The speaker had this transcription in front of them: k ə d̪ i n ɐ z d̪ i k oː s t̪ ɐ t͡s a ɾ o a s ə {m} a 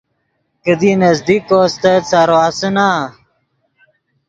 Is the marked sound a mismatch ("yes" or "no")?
yes